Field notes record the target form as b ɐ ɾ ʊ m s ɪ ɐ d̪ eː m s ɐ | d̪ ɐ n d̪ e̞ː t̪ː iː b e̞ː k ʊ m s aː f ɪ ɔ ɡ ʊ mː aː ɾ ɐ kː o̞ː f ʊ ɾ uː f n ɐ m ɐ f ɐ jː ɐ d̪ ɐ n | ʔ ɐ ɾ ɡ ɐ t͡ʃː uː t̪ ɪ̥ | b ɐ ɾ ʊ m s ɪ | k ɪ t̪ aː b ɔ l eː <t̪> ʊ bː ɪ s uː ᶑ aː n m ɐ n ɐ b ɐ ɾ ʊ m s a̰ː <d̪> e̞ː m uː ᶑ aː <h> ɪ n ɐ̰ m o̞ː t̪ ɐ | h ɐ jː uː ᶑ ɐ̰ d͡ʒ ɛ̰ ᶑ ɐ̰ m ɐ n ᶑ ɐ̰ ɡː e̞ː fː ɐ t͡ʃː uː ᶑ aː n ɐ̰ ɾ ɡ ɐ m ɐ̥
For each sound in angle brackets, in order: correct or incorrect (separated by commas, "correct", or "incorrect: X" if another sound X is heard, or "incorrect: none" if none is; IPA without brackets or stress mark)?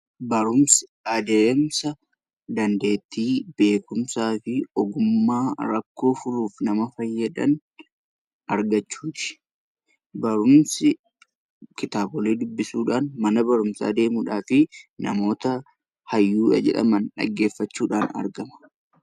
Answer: incorrect: d̪, correct, incorrect: f